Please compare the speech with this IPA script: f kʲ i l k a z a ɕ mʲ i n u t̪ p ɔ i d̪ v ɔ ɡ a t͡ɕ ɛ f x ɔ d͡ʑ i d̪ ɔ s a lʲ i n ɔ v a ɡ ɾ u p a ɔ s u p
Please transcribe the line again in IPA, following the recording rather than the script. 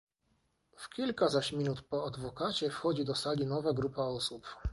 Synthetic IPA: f kʲ i l k a z a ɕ mʲ i n u t̪ p ɔ a d̪ v ɔ k a t͡ɕ ɛ f x ɔ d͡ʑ i d̪ ɔ s a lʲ i n ɔ v a ɡ ɾ u p a ɔ s u p